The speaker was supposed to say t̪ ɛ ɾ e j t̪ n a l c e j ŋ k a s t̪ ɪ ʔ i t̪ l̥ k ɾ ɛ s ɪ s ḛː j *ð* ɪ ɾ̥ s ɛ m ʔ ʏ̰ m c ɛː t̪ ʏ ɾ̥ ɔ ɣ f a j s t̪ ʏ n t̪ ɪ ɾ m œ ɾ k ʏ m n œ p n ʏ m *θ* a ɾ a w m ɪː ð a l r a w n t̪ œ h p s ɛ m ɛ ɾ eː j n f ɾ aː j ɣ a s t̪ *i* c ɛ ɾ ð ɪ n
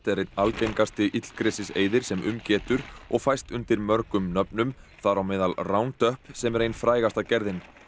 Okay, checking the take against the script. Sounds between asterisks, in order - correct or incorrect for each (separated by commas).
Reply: correct, correct, incorrect